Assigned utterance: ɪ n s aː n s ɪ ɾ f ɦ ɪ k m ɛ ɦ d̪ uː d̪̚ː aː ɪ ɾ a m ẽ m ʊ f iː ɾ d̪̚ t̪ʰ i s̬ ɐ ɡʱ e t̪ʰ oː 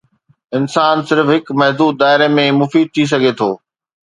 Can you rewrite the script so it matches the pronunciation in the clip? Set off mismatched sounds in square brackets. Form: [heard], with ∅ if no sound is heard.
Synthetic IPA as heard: ɪ n s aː n s ɪ ɾ f ɦ ɪ k m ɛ ɦ d̪ uː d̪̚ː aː ɪ ɾ [e] m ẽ m ʊ f iː [∅] d̪̚ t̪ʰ i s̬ ɐ ɡʱ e t̪ʰ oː